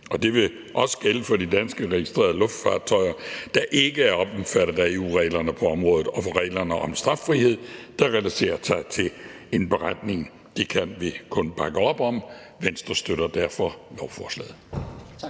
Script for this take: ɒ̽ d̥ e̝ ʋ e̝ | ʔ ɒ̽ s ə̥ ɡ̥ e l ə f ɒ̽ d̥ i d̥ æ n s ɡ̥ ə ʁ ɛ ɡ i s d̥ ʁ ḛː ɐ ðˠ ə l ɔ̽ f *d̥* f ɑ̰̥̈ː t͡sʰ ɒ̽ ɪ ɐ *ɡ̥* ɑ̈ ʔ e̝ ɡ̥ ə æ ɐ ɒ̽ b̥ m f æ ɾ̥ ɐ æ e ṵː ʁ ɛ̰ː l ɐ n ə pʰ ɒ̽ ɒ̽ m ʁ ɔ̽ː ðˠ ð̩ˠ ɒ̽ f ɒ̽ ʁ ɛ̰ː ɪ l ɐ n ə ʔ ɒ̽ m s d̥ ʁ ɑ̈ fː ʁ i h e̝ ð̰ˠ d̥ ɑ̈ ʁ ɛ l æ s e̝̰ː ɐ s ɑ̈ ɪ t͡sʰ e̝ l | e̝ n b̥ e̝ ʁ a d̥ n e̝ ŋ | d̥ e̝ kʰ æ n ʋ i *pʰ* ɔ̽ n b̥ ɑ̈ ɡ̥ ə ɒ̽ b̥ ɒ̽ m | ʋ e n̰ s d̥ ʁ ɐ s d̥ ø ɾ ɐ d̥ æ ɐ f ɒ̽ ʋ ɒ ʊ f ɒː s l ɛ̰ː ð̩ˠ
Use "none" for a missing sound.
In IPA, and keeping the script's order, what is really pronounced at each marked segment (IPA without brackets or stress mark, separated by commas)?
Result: d̥, d̥, kʰ